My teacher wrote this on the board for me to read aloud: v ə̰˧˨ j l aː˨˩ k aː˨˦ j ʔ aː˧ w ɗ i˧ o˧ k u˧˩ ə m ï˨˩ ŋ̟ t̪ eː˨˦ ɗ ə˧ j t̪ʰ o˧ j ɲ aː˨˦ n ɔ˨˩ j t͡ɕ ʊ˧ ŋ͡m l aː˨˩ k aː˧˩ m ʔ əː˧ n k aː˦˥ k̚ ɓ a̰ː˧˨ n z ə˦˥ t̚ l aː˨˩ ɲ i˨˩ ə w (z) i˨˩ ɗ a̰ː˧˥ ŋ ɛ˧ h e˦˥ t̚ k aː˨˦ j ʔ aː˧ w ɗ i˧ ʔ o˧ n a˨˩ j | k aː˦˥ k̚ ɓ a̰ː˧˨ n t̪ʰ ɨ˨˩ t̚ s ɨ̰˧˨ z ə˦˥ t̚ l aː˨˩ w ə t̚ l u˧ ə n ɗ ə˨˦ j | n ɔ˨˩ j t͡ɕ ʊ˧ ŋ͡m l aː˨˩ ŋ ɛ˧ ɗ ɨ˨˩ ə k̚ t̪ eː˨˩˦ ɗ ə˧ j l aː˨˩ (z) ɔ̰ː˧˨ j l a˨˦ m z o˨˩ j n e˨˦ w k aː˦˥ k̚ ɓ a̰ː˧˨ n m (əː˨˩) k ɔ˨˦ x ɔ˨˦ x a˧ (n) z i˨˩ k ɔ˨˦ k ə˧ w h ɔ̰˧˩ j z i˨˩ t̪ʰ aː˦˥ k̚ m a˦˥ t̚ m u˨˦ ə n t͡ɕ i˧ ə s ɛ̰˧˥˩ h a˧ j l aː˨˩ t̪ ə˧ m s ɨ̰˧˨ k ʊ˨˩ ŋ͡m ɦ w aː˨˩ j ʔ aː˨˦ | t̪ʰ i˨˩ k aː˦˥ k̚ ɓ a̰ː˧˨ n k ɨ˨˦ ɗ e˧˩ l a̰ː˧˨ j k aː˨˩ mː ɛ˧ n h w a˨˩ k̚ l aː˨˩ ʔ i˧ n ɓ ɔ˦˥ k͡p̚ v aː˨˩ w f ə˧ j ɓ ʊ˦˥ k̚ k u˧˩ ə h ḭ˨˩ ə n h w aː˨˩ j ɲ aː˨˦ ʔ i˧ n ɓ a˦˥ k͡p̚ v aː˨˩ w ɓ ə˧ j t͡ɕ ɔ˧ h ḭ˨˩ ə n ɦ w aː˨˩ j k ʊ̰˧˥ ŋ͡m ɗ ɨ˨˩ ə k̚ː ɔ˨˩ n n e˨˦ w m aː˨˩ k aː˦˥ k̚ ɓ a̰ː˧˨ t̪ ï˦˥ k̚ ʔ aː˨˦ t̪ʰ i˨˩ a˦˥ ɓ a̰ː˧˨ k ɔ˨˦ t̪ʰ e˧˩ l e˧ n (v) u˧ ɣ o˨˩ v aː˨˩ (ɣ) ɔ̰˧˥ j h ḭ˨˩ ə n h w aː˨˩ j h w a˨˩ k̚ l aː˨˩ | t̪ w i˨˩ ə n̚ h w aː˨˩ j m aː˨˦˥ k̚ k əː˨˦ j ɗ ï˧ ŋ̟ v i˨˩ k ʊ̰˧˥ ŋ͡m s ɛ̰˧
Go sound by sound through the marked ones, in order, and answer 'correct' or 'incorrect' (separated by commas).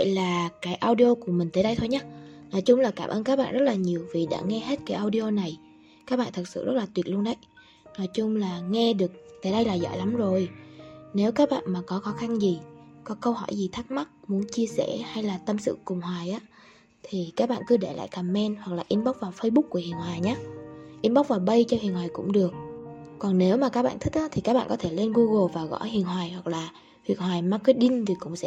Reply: incorrect, correct, incorrect, correct, incorrect, correct